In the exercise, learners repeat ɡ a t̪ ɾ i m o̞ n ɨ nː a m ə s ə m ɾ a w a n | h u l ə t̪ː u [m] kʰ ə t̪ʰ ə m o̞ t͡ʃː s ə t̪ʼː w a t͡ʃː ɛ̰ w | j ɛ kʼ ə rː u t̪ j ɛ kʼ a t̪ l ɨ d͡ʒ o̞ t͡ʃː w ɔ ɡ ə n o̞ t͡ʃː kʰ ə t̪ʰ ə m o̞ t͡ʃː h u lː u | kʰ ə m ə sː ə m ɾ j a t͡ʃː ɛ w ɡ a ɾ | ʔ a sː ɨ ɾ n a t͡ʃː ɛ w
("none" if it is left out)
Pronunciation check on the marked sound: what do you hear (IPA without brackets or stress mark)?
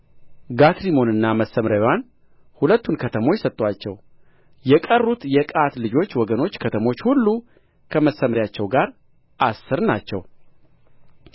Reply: n